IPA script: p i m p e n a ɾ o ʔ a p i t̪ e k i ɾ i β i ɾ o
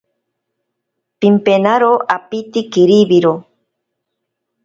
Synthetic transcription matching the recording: p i m p e n a ɾ o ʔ a p i t̪ i k i ɾ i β i ɾ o